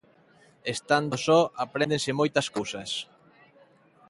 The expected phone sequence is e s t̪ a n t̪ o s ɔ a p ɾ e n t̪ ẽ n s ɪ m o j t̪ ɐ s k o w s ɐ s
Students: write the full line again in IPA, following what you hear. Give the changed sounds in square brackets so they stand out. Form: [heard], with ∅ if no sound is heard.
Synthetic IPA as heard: e s t̪ a n [d̪] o s ɔ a p ɾ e n [d̪] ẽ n s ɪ m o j t̪ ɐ s k o w s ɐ s